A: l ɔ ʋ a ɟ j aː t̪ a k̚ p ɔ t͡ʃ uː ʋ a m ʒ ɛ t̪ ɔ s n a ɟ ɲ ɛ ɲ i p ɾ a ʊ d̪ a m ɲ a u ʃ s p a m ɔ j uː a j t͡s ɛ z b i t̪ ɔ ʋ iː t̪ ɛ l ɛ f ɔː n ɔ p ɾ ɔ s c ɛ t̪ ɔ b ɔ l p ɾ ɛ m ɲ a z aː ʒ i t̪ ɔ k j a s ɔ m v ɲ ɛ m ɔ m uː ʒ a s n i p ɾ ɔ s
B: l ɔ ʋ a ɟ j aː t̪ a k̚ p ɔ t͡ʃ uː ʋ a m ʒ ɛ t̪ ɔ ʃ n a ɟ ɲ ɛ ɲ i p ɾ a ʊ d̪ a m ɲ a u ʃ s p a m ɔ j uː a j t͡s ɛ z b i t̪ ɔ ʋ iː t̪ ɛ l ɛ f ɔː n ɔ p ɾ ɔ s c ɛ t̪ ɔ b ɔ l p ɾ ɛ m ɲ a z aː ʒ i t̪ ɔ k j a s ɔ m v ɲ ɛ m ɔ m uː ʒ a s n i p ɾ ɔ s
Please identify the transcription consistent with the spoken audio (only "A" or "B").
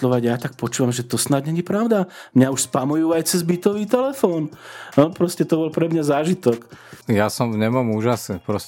A